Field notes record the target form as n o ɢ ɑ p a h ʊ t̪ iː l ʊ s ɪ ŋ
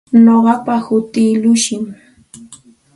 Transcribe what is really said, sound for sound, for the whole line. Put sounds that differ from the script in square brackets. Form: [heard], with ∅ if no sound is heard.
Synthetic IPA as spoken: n o ɢ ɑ p a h ʊ t̪ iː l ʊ [ʃ] ɪ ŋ